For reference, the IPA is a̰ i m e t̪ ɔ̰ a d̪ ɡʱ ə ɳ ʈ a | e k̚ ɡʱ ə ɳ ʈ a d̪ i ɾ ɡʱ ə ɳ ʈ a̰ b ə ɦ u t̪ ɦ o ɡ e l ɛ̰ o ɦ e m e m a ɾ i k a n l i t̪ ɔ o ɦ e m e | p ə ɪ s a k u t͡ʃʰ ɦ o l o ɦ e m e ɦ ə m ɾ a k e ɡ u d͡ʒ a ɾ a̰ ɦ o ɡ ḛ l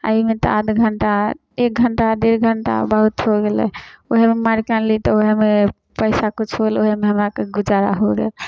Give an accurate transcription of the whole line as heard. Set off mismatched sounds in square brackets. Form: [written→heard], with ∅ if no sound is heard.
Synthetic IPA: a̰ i m e t̪ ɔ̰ a d̪ ɡʱ ə ɳ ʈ a | e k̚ ɡʱ ə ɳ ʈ a d̪ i ɾ ɡʱ ə ɳ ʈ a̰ b ə ɦ u t̪ ɦ o ɡ e l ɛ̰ o ɦ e m e m a ɾ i k a n l i t̪ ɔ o ɦ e m e | p ə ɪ s a k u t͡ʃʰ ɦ o l o ɦ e m e ɦ ə m ɾ a k e ɡ u d͡ʒ a ɾ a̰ ɦ o ɡ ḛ l